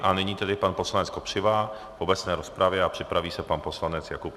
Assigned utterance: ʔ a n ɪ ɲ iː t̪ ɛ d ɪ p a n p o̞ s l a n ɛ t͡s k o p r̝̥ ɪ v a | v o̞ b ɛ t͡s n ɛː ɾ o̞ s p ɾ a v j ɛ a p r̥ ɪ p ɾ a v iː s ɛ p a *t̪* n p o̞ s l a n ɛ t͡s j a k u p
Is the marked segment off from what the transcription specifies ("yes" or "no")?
yes